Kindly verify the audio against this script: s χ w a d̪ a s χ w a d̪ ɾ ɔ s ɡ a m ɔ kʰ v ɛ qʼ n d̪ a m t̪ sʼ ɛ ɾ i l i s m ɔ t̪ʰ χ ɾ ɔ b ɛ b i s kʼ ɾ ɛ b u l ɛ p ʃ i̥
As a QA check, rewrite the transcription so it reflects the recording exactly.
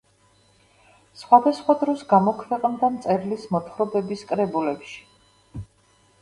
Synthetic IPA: s χ w a d̪ a s χ w a d̪ ɾ ɔ s ɡ a m ɔ kʰ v ɛ qʼ n d̪ a m t̪ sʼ ɛ ɾ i l i s m ɔ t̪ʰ χ ɾ ɔ b ɛ b i s kʼ ɾ ɛ b u l ɛ p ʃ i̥